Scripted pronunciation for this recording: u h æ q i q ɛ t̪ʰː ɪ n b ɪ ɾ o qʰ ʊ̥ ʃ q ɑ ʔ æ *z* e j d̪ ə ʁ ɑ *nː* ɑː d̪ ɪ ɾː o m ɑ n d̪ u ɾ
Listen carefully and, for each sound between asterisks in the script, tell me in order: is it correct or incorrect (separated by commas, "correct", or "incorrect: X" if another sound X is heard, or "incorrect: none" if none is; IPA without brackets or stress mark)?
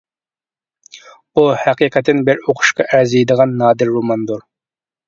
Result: correct, correct